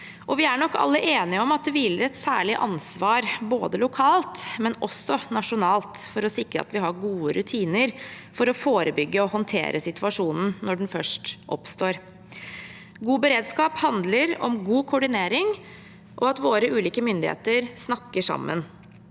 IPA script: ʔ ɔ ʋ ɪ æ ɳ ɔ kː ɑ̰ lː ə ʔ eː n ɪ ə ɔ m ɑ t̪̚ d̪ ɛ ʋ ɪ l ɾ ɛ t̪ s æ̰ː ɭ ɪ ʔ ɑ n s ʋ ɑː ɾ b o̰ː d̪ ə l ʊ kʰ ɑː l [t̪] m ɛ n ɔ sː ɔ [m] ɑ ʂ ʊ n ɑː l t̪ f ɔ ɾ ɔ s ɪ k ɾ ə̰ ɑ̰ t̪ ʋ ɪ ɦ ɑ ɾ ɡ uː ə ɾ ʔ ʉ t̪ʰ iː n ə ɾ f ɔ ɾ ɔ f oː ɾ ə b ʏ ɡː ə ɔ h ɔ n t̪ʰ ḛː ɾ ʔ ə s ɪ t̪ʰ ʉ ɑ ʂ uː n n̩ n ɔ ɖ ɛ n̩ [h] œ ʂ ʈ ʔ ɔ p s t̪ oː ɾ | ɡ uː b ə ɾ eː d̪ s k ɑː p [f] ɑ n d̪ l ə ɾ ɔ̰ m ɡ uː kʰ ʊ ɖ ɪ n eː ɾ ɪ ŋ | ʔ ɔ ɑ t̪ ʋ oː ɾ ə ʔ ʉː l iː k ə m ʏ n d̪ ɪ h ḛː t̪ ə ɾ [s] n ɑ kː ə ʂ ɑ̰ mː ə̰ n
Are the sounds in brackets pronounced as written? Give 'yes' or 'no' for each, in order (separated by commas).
yes, no, no, no, yes